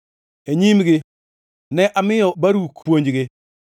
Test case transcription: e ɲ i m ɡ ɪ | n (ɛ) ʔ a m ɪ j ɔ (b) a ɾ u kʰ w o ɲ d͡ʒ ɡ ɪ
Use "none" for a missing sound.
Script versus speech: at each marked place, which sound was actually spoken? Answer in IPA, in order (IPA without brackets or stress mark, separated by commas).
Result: ɛ, b